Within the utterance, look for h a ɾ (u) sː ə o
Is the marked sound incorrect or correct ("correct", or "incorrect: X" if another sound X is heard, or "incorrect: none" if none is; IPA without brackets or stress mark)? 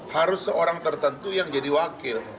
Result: incorrect: ʊ